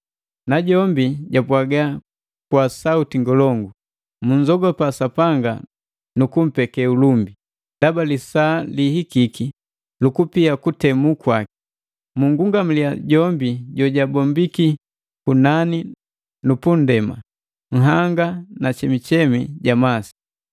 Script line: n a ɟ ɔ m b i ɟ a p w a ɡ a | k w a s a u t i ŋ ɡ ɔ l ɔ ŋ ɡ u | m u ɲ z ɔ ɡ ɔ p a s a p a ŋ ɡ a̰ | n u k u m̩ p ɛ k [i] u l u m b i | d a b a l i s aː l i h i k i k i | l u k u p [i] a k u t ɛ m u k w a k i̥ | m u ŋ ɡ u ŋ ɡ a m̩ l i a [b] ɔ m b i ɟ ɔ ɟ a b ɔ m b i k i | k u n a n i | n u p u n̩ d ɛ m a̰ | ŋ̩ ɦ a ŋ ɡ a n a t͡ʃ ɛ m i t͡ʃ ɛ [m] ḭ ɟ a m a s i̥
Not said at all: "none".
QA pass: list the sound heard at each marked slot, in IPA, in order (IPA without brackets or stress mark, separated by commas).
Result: ɛ, i, ɟ, m